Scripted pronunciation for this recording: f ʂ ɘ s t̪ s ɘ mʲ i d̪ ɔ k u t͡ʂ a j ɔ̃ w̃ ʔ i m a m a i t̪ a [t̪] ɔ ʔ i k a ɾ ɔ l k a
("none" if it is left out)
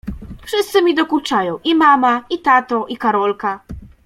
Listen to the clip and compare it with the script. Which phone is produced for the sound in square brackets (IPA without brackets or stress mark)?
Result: t̪